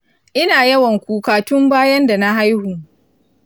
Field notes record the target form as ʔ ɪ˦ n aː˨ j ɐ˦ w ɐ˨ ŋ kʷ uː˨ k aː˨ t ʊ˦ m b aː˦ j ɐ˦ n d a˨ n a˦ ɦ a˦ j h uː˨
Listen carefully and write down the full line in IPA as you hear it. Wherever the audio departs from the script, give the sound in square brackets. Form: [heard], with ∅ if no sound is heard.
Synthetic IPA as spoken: ʔ ɪ˦ n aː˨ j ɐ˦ w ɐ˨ ŋ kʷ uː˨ k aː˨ t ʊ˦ m b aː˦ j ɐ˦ n d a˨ n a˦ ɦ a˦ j h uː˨